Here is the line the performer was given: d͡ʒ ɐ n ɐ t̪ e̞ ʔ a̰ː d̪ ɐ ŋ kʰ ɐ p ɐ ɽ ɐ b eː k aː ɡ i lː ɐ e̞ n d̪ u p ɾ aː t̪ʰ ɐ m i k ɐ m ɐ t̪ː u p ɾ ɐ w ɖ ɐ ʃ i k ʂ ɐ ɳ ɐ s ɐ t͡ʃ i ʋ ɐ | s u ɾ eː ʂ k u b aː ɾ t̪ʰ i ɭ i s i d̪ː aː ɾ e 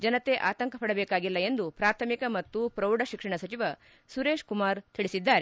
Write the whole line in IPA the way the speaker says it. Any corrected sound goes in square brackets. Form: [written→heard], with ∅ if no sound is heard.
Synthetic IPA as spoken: d͡ʒ ɐ n ɐ t̪ e̞ ʔ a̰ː [d̪→t̪] ɐ ŋ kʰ ɐ p ɐ ɽ ɐ b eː k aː ɡ i lː ɐ e̞ n d̪ u p ɾ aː t̪ʰ ɐ m i k ɐ m ɐ t̪ː u p ɾ ɐ w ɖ ɐ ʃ i k ʂ ɐ ɳ ɐ s ɐ t͡ʃ i ʋ ɐ | s u ɾ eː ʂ k u [b→m] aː ɾ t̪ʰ i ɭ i s i d̪ː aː ɾ e